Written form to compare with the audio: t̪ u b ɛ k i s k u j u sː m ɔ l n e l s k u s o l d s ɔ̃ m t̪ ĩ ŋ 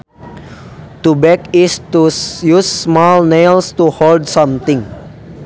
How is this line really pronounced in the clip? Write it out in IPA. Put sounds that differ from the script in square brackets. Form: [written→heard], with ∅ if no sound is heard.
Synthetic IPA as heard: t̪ u b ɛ k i s [k→t] u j u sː m ɔ l n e l s [k→t] u [s→h] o l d s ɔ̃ m t̪ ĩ ŋ